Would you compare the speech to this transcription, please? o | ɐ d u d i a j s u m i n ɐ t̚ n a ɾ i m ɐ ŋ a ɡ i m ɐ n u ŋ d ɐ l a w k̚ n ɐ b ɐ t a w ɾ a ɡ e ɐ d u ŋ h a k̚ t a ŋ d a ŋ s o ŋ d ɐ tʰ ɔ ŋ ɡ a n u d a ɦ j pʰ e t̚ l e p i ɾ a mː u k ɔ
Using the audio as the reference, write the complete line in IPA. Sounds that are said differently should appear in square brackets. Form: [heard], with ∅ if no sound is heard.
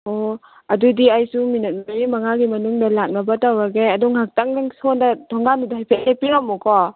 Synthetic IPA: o | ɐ d u d i a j s u m i n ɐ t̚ [m] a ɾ i m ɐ ŋ a ɡ i m ɐ n u ŋ d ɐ l a [∅] k̚ n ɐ b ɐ t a w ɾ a ɡ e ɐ d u ŋ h a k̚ t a ŋ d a ŋ s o [n] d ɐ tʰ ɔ ŋ ɡ a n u d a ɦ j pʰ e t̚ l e p i ɾ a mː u k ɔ